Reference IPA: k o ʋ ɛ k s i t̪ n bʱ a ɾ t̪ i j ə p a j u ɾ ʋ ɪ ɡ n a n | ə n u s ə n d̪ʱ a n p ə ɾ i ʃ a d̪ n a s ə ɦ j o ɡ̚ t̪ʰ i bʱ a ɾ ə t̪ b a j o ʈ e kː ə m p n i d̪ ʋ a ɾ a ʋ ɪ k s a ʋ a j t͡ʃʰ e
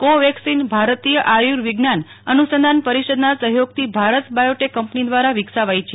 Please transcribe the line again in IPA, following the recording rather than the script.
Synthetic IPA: k o ʋ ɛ k s i n bʱ a ɾ t̪ i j ə ʔ a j u ɾ ʋ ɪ ɡ n a n | ə n u s ə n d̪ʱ a n p ə ɾ i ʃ ə d̪ n a s ə ɦ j o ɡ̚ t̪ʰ i bʱ a ɾ ə t̪ b a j o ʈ e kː ə m p n i d̪ ʋ a ɾ a ʋ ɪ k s a ʋ a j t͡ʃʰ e